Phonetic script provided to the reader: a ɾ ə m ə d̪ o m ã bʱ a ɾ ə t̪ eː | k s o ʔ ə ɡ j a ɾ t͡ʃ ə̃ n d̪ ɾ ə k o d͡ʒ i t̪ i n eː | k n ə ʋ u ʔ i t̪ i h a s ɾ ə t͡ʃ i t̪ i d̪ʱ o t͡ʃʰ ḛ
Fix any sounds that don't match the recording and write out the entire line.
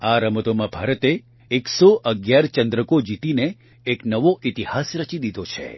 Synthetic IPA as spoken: a ɾ ə m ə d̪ o m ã bʱ a ɾ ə t̪ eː | k s o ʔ ə ɡ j a ɾ t͡ʃ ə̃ n d̪ ɾ ə k o d͡ʒ i t̪ i n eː | k n ə ʋ o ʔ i t̪ i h a s ɾ ə t͡ʃ i d̪ i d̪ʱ o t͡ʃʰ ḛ